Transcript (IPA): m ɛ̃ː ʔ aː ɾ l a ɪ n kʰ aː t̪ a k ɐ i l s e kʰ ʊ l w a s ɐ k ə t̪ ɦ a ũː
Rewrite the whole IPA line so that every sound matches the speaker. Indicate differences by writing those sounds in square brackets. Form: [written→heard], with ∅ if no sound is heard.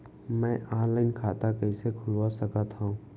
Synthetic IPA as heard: m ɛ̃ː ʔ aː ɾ l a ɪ n kʰ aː t̪ a k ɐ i [l→∅] s e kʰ ʊ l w a s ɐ k ə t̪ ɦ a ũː

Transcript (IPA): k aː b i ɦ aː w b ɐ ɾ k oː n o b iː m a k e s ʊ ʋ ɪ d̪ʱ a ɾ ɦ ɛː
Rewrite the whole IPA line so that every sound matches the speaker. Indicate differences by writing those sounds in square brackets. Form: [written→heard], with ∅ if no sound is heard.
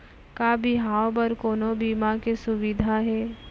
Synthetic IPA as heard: k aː b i ɦ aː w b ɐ ɾ k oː n o b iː m a k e s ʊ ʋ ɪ d̪ʱ a [ɾ→∅] ɦ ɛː

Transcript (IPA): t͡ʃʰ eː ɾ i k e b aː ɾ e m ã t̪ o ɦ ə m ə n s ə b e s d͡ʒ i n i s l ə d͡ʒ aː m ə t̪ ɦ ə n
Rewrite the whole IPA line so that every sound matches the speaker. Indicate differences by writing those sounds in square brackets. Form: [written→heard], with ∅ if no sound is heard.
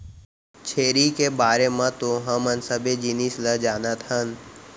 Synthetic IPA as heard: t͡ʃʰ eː ɾ i k e b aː ɾ e m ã t̪ o ɦ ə m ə n s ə b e [s→∅] d͡ʒ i n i s l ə d͡ʒ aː [m→n] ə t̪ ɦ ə n

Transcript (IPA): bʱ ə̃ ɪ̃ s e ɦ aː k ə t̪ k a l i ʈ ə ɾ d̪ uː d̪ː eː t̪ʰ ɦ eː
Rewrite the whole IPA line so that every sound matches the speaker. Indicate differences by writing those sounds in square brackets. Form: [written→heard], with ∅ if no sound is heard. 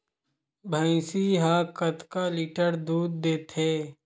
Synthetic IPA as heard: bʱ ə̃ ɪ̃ s [e→i] ɦ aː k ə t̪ k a l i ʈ ə ɾ d̪ uː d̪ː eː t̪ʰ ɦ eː

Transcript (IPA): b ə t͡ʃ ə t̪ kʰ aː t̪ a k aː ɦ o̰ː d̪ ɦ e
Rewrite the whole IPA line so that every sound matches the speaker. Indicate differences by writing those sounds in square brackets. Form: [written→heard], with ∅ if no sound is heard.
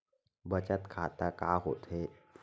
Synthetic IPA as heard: b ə t͡ʃ ə t̪ kʰ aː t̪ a k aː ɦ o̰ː [d̪→t̪] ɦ e

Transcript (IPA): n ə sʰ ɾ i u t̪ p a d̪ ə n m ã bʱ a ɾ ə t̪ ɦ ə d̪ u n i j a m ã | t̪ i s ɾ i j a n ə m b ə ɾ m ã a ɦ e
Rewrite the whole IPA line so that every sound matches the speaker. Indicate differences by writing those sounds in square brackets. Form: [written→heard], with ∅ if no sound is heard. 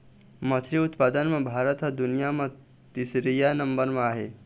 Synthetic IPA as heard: [n→m] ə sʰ ɾ i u t̪ p a d̪ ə n m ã bʱ a ɾ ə t̪ ɦ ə d̪ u n i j a m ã | t̪ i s ɾ i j a n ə m b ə ɾ m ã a ɦ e

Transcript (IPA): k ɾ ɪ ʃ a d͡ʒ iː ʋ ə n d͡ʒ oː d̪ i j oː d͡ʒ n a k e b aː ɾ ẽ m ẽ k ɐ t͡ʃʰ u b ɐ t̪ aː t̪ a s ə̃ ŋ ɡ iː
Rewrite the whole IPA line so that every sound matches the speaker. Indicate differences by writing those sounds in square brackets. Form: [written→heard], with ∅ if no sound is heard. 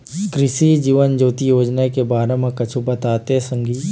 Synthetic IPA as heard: k ɾ ɪ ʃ [a→i] d͡ʒ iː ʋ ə n d͡ʒ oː [d̪→t̪] i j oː d͡ʒ n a k e b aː ɾ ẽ m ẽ k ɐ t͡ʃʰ u b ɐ t̪ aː t̪ [a→e] s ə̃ ŋ ɡ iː

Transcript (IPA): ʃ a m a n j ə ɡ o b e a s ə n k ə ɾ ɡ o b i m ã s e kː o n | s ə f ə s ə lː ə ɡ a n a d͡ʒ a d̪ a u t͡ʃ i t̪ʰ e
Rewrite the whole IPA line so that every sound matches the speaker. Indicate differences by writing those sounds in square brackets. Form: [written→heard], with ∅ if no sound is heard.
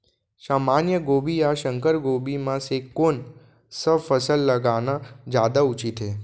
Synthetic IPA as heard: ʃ a m a n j ə ɡ o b [e→i] a [s→ʃ] ə [n→ŋ] k ə ɾ ɡ o b i m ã s e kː o n | s ə f ə s ə lː ə ɡ a n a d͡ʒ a d̪ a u t͡ʃ i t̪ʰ e

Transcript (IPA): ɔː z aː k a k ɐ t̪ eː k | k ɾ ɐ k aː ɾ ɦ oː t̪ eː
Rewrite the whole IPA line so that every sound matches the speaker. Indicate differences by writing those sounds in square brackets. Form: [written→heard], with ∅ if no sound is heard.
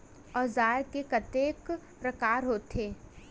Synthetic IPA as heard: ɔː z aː k [a→e] k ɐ t̪ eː k | [k→p] ɾ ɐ k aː ɾ ɦ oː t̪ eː

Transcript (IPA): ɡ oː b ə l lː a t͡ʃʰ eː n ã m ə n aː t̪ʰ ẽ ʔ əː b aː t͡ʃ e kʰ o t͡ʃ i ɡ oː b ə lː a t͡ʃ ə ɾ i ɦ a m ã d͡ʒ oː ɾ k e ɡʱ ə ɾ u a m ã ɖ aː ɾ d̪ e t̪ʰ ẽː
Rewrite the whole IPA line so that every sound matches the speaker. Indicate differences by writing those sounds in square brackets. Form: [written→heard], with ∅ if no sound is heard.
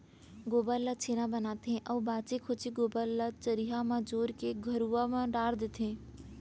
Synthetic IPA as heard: ɡ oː b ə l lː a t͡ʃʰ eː n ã [m→b] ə n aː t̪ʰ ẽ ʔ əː b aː t͡ʃ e kʰ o t͡ʃ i ɡ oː b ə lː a t͡ʃ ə ɾ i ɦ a m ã d͡ʒ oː ɾ k e ɡʱ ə ɾ u a m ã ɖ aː ɾ d̪ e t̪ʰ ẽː

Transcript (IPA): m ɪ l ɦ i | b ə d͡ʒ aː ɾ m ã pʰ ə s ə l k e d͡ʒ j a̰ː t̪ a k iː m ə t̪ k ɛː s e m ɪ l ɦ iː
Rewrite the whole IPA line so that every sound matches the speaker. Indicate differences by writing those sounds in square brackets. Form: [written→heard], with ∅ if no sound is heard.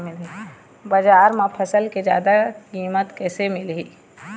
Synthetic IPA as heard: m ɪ l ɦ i | b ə d͡ʒ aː ɾ m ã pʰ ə s ə l k e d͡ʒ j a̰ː [t̪→d̪] a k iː m ə t̪ k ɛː s e m ɪ l ɦ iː

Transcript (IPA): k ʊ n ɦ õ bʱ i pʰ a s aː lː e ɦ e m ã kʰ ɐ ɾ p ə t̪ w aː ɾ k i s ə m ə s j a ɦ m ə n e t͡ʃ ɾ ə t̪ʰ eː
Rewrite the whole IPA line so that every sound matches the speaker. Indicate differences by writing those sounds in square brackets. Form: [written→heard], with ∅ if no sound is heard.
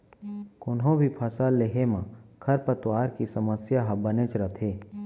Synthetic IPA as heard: k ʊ n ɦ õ bʱ i pʰ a s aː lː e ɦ e m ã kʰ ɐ ɾ p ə t̪ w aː ɾ k i s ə m ə s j a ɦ [m→b] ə n e t͡ʃ ɾ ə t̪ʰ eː

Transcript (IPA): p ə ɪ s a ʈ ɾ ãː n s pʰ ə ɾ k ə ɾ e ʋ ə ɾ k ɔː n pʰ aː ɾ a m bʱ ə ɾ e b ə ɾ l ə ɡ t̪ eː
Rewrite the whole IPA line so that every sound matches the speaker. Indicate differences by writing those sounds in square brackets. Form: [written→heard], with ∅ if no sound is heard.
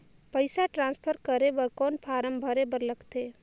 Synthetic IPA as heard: p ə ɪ s a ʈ ɾ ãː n s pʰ ə ɾ k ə ɾ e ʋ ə ɾ k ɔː n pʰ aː ɾ [a→ə] m bʱ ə ɾ e b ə ɾ l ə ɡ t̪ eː

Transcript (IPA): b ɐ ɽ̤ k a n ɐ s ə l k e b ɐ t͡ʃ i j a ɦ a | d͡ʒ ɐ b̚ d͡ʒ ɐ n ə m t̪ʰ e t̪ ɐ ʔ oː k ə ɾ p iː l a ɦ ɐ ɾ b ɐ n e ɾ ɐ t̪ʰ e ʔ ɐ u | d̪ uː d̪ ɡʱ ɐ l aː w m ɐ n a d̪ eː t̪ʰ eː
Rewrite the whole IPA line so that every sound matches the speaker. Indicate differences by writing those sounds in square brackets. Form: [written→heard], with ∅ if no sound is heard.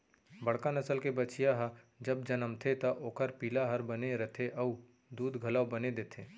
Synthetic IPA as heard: b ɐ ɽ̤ k a n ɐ s ə l k e b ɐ t͡ʃ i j a ɦ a | d͡ʒ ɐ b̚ d͡ʒ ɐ n ə m t̪ʰ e t̪ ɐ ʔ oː k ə ɾ p iː l a ɦ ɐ ɾ b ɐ n e ɾ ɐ t̪ʰ e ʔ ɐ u | d̪ uː d̪ ɡʱ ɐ l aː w [m→b] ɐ n [a→e] d̪ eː t̪ʰ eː

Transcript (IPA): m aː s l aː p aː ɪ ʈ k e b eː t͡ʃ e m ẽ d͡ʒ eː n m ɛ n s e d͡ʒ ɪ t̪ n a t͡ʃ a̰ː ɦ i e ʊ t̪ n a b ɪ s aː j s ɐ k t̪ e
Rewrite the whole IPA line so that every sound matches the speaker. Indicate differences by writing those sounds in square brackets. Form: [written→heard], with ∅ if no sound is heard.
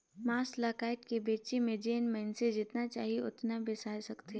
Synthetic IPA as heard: m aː s l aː [p→k] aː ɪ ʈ k e b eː t͡ʃ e m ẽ d͡ʒ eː n m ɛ n s e d͡ʒ ɪ t̪ n a t͡ʃ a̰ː ɦ i e ʊ t̪ n a b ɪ s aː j s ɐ k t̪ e

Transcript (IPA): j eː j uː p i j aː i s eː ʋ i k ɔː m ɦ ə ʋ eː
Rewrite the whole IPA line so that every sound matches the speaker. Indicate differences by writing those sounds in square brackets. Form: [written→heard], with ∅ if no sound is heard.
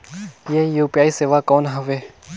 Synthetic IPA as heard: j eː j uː p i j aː i s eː ʋ [i→a] k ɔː [m→n] ɦ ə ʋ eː

